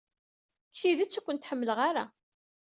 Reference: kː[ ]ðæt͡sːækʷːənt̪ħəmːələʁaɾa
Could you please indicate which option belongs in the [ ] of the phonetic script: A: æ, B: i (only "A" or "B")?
B